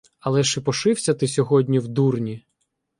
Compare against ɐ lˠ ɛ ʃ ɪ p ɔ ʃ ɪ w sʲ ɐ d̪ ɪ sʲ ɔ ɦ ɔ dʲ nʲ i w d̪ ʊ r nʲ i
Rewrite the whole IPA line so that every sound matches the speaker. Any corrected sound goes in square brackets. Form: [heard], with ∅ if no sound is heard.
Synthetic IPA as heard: ɐ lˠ ɛ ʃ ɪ p ɔ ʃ ɪ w sʲ ɐ [t̪] ɪ sʲ ɔ ɦ ɔ dʲ nʲ i w d̪ [u] r nʲ i